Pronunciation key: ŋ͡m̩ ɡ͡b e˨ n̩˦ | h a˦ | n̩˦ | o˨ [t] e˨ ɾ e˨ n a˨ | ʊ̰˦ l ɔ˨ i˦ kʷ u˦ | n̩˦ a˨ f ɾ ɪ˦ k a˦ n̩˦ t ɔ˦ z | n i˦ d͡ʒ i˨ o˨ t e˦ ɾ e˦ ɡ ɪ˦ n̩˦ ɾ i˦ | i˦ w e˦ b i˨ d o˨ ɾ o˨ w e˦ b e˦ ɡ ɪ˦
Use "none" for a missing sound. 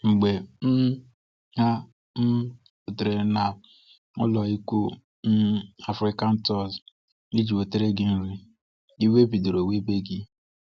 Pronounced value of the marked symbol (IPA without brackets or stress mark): t